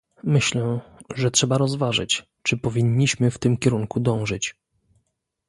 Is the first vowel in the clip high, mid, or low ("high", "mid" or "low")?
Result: mid